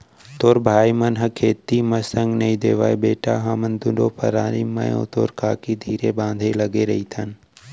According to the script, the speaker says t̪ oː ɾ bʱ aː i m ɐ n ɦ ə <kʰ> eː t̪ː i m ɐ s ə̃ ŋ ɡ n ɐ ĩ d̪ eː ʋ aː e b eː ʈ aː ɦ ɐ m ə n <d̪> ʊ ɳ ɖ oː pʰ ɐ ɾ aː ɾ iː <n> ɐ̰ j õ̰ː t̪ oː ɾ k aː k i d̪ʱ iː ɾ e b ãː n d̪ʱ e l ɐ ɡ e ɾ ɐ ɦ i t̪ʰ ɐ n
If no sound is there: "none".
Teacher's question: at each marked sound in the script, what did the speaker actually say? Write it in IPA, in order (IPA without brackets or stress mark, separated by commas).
kʰ, d̪, m